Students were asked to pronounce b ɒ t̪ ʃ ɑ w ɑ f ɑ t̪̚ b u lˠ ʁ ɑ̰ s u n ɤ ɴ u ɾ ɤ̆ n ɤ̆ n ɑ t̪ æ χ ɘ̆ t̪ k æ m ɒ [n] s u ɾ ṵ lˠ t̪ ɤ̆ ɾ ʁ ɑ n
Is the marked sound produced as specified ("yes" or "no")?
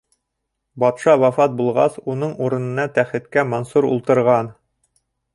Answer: yes